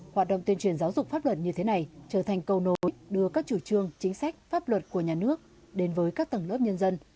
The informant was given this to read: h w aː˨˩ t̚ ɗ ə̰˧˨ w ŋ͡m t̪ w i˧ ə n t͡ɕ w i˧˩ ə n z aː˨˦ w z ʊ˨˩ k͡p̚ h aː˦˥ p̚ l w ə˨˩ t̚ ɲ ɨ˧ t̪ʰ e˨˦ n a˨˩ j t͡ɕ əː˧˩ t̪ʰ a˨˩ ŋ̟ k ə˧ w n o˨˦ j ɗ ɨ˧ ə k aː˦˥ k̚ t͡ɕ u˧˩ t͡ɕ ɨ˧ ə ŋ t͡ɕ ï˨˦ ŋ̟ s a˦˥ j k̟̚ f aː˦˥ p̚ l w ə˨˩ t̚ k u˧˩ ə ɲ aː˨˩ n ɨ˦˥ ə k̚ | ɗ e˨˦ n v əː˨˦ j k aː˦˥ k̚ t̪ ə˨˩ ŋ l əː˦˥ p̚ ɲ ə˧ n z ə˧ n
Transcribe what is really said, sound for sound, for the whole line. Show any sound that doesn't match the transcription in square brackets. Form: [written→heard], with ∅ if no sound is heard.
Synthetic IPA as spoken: h w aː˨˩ t̚ ɗ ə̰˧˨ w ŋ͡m t̪ w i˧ ə n t͡ɕ w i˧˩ ə n z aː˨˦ w z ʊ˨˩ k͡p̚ [h→f] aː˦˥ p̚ l w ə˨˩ t̚ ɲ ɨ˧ t̪ʰ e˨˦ n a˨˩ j t͡ɕ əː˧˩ t̪ʰ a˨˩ ŋ̟ k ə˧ w n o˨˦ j ɗ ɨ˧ ə k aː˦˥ k̚ t͡ɕ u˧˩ t͡ɕ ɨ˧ ə ŋ t͡ɕ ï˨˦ ŋ̟ s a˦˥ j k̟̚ f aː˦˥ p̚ l w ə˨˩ t̚ k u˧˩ ə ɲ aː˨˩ n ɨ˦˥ ə k̚ | ɗ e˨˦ n v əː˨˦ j k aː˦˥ k̚ t̪ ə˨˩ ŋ l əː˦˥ p̚ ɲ ə˧ n z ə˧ n